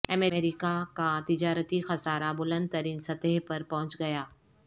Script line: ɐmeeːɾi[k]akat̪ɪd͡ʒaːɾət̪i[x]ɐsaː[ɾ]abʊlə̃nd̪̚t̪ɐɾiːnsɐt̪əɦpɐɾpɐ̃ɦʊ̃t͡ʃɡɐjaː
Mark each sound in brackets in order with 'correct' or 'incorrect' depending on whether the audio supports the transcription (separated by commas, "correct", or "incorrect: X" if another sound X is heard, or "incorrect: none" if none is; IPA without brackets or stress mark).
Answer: correct, correct, correct